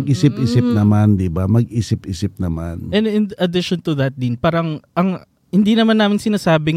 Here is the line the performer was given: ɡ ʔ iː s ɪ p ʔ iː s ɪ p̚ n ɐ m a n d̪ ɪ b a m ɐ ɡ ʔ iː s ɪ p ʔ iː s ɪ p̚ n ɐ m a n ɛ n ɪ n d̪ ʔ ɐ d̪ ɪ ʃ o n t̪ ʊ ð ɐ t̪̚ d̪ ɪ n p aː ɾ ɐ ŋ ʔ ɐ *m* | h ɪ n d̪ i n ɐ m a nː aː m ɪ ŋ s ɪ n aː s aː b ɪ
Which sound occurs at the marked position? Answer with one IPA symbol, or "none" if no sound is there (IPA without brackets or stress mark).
ŋ